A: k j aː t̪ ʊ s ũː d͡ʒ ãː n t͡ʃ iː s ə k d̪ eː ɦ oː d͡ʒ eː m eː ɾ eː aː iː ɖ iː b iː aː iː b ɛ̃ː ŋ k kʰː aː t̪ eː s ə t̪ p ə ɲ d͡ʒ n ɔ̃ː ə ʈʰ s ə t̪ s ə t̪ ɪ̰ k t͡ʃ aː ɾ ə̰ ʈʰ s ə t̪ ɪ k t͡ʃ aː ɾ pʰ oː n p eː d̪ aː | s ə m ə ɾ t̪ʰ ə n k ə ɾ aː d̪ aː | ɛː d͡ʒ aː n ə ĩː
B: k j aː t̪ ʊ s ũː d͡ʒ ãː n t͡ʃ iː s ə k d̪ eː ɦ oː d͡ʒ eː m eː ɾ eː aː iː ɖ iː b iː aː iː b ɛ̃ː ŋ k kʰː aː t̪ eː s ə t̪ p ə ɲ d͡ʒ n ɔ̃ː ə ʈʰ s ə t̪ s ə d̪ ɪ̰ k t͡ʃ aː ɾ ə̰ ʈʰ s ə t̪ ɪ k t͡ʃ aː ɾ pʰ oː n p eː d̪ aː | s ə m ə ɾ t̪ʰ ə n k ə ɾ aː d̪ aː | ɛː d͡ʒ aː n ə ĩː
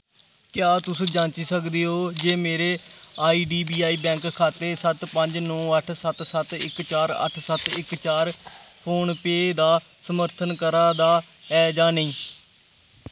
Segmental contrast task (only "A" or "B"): A